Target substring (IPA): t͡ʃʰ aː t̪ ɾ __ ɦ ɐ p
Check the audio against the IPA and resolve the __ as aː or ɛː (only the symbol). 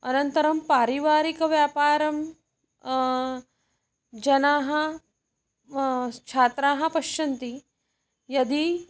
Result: aː